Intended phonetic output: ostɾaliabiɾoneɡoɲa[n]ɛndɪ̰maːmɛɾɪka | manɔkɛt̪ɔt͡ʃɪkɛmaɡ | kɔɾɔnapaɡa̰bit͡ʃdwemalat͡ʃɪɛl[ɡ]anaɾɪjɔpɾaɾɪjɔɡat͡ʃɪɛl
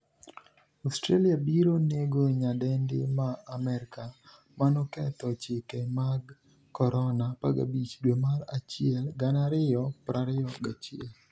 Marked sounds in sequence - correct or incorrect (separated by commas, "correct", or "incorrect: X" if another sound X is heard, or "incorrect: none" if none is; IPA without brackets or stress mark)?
incorrect: d, correct